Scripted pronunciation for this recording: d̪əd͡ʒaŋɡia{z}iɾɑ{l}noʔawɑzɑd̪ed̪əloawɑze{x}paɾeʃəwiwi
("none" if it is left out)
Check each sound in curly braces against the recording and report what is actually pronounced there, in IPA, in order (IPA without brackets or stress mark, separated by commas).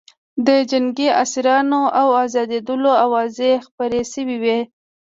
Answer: s, none, x